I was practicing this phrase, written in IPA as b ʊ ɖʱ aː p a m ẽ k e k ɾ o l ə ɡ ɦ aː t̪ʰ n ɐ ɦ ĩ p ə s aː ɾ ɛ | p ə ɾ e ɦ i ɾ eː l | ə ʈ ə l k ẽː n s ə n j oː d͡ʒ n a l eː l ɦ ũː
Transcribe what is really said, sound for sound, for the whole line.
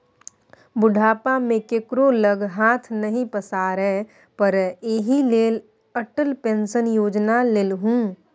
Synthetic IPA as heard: b ʊ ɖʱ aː p a m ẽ k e k ɾ o l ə ɡ ɦ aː t̪ʰ n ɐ ɦ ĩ p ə s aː ɾ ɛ | p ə ɾ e ɦ i l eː l | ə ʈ ə l p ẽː n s ə n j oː d͡ʒ n a l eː l ɦ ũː